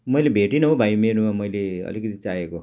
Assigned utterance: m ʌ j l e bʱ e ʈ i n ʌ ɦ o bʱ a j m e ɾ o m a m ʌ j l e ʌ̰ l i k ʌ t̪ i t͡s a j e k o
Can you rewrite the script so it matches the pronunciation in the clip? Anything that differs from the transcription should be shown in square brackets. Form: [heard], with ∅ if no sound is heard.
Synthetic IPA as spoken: m ʌ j l e bʱ e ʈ i n ʌ ɦ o bʱ a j m e ɾ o m a m ʌ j l e ʌ̰ l i k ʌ t̪ i t͡s a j e k o